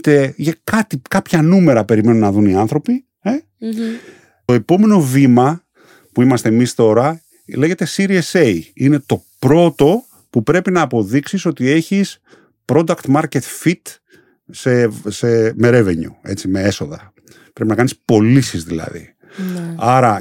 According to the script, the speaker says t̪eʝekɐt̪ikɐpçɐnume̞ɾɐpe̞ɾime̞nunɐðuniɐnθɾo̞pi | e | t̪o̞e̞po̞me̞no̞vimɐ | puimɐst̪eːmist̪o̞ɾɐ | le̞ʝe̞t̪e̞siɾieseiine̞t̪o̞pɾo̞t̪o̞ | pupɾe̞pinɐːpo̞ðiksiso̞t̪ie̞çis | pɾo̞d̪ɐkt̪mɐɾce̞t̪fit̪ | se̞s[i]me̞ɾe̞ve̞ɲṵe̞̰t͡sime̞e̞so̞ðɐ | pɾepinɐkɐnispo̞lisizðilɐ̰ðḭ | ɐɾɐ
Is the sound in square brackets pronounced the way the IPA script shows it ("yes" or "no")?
no